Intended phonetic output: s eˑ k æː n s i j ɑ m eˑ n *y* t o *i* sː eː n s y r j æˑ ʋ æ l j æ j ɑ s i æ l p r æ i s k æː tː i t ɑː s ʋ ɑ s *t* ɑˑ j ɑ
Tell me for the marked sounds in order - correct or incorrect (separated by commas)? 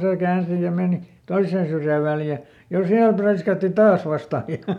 incorrect, correct, correct